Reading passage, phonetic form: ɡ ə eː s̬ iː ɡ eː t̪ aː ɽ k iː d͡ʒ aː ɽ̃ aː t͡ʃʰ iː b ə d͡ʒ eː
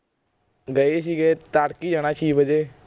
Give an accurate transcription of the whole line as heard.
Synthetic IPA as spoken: ɡ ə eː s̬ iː ɡ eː t̪ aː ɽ k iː d͡ʒ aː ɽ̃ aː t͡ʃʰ iː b ə d͡ʒ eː